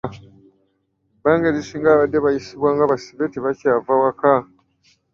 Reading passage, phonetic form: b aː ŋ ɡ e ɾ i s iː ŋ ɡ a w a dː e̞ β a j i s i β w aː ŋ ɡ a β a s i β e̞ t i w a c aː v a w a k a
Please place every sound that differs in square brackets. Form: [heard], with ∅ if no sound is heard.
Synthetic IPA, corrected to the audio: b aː ŋ ɡ e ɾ i s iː ŋ ɡ a [β] a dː e̞ β a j i s i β w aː ŋ ɡ a β a s i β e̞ t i [β] a c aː v a w a k a